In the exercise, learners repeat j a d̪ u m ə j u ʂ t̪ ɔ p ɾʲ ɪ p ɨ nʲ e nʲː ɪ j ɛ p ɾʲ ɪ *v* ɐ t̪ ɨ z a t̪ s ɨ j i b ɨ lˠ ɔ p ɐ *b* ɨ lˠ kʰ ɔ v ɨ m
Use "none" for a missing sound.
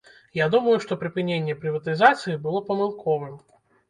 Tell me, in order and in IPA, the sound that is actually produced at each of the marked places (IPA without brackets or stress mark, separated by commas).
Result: v, m